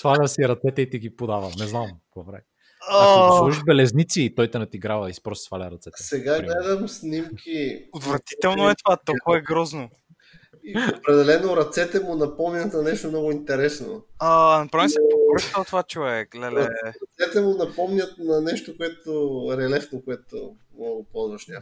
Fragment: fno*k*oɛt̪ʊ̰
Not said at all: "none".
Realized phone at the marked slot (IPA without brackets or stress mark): k